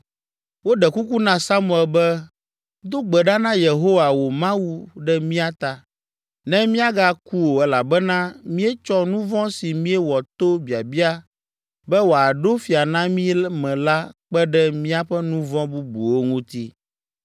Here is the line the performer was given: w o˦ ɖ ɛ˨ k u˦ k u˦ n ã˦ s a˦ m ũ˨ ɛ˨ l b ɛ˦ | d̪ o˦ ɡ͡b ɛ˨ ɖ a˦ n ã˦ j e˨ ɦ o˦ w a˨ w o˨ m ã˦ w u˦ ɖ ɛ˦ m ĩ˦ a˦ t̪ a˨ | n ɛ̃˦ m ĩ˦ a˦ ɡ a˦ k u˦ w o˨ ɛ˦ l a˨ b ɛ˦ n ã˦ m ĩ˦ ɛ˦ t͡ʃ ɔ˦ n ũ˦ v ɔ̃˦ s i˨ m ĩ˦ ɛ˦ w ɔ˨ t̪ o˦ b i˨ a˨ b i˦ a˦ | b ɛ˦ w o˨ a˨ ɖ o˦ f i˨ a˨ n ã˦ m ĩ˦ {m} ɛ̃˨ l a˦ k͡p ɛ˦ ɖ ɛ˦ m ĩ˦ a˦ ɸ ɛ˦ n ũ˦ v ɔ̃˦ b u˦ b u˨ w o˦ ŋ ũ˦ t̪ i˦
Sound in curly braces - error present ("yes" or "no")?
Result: no